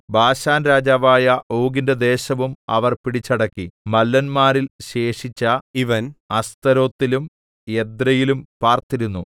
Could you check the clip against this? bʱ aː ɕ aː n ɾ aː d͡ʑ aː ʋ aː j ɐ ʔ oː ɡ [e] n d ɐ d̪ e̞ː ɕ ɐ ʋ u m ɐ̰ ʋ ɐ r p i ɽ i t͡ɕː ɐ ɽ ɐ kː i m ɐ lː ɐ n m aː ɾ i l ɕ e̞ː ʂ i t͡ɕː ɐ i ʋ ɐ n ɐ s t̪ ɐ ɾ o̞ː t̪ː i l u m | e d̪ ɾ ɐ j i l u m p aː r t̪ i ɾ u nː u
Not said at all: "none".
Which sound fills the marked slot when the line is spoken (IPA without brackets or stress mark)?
i